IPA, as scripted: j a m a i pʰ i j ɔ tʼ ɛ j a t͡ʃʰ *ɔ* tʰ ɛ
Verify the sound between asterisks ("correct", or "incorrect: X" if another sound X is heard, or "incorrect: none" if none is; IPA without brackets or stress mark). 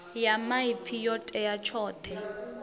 incorrect: ɔː